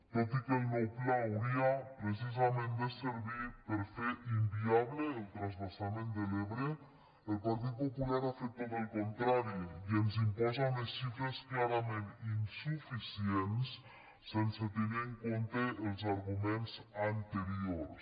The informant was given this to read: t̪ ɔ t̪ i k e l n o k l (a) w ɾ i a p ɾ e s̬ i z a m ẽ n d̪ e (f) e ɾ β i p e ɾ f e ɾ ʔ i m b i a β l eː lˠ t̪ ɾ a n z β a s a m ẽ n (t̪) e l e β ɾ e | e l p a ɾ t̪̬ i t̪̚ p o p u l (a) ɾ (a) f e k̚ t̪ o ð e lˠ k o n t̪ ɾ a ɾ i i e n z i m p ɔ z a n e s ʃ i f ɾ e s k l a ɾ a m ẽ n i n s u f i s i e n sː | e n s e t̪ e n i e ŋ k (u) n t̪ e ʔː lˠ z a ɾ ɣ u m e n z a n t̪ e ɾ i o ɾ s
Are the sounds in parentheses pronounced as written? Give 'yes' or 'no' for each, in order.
yes, no, no, yes, yes, no

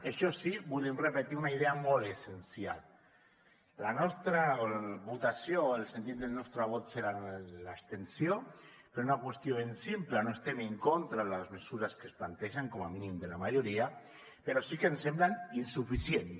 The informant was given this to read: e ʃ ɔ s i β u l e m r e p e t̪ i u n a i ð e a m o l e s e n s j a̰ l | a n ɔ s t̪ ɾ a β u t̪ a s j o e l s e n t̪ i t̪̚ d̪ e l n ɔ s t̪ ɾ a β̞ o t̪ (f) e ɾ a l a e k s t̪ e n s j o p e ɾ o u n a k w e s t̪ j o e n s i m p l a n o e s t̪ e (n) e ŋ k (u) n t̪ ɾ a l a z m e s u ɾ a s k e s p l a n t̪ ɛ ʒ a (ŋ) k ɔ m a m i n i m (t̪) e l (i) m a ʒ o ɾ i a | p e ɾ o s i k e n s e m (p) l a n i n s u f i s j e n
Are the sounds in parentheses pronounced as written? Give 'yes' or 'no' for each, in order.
no, no, no, yes, no, no, no

